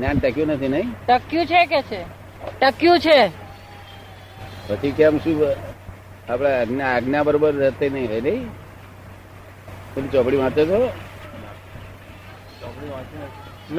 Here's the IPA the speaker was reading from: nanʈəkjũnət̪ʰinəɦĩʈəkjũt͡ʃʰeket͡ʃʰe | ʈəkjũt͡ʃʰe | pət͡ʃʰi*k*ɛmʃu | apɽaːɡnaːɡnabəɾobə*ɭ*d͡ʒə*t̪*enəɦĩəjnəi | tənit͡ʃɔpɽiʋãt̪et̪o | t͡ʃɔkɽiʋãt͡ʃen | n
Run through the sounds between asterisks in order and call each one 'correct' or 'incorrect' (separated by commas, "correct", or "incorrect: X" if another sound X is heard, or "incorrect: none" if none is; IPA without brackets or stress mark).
correct, incorrect: ɾ, correct